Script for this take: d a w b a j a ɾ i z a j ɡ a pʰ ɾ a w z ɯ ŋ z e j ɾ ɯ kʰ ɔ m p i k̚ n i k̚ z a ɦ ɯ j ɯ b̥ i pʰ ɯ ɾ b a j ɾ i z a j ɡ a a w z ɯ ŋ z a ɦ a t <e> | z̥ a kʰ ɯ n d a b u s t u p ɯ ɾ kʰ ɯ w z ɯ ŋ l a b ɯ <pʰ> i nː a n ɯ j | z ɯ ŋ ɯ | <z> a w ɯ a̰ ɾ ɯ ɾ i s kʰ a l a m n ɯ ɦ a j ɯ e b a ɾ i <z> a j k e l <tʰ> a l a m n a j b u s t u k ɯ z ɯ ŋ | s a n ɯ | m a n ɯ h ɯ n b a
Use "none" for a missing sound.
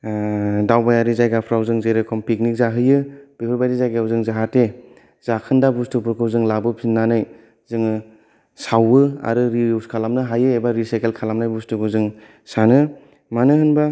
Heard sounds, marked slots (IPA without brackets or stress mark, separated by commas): e, pʰ, s, s, kʰ